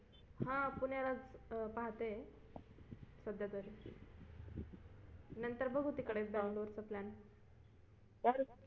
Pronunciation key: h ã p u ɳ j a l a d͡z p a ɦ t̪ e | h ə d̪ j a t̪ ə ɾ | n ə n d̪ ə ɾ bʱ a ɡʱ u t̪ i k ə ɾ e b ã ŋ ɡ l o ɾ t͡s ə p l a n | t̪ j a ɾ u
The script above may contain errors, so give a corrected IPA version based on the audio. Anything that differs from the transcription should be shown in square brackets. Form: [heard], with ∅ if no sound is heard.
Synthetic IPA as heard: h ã p u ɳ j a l a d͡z p a ɦ t̪ e | [s] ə d̪ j a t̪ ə ɾ | n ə n [t̪] ə ɾ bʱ [ə] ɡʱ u t̪ i k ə [ɽ] e b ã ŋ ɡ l o ɾ t͡s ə p l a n | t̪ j a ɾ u